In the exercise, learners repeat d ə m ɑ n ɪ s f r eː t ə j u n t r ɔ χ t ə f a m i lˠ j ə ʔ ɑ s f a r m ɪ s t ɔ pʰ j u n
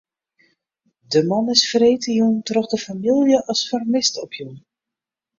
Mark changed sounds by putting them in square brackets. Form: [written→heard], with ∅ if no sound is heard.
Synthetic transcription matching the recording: d ə m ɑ n ɪ s f r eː t ə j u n t r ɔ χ [t→d] ə f a m i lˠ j ə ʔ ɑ s f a r m ɪ s t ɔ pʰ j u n